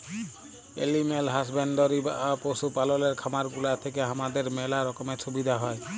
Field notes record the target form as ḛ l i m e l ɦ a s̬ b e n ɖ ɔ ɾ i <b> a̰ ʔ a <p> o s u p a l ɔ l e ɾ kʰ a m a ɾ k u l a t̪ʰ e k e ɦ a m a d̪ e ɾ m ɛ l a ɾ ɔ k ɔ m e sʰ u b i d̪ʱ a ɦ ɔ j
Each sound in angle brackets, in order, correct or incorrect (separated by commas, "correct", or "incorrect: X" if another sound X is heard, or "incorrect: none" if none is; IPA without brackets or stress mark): correct, correct